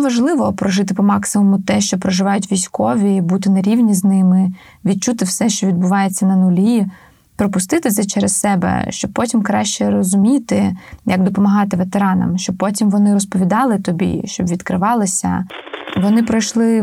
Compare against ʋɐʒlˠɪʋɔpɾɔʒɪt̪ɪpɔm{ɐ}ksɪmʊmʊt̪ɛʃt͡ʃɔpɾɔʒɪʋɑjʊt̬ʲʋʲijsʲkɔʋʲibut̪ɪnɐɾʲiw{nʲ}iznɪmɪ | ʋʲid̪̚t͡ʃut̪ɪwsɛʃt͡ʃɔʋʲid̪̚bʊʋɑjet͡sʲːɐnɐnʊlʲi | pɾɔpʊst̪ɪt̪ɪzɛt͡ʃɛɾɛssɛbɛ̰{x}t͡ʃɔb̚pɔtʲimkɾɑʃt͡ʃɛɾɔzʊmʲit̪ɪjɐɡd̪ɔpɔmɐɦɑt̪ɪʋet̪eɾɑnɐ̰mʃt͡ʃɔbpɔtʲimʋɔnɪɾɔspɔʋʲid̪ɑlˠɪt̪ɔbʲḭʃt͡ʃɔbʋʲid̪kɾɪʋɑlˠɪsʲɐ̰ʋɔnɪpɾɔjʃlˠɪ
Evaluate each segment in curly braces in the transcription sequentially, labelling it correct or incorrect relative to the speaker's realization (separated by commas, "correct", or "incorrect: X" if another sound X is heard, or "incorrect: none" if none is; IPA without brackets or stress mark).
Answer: incorrect: ɑ, correct, incorrect: ʃ